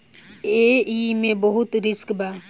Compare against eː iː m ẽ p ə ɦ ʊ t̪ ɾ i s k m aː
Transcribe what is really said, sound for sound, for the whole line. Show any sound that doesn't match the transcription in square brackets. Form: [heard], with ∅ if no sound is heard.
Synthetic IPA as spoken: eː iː m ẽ [b] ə ɦ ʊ t̪ ɾ [ɪ] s k [b] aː